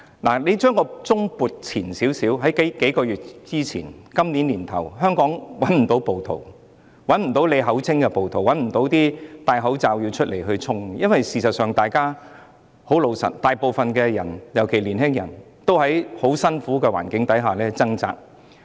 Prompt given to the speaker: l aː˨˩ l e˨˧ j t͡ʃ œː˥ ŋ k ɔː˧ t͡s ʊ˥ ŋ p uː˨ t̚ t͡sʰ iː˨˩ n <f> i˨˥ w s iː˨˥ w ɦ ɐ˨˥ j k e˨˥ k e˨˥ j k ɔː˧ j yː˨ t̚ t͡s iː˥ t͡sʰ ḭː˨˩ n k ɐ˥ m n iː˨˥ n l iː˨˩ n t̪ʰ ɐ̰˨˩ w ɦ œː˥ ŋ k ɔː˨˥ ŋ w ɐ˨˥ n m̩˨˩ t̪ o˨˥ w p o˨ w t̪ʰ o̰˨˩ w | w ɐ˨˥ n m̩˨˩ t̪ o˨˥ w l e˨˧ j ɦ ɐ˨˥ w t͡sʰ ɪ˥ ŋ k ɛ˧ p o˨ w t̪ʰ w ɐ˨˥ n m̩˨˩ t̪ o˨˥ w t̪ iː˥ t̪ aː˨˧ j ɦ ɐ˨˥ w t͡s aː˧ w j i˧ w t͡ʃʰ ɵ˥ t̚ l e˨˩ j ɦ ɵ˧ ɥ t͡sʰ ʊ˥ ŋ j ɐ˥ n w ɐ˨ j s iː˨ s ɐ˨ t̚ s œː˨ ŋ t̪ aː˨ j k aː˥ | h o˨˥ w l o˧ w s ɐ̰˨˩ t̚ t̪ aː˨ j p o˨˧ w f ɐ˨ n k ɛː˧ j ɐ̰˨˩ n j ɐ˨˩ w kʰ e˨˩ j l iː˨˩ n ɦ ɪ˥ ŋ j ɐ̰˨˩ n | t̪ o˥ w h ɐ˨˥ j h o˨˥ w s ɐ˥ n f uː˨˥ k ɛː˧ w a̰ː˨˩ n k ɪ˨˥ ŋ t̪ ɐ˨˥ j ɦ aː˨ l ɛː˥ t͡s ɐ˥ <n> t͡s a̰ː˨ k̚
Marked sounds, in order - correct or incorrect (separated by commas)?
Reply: incorrect, incorrect